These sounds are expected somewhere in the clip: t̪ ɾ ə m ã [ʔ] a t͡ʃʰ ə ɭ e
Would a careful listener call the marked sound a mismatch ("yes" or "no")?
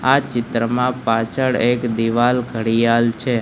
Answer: yes